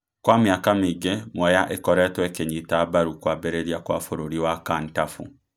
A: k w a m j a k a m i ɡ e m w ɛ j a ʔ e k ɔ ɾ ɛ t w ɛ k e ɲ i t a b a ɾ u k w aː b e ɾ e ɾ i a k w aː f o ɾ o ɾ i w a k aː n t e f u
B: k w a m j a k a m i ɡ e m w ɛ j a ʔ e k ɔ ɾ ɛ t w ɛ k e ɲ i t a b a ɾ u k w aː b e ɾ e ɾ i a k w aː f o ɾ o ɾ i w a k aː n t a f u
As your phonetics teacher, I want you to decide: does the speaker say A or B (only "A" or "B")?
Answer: B